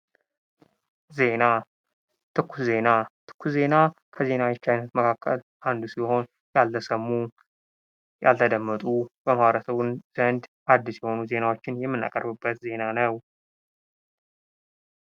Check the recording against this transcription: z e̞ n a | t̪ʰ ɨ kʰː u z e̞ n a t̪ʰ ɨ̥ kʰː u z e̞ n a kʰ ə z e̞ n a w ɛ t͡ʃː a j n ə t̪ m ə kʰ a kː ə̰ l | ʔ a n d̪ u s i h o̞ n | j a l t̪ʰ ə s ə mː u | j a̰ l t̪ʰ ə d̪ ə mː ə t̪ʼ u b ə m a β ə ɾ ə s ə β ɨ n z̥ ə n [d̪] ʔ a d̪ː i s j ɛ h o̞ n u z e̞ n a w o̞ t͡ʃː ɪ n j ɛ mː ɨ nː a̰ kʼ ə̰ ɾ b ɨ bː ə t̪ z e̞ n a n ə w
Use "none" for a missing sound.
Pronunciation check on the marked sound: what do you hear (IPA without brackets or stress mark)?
d̪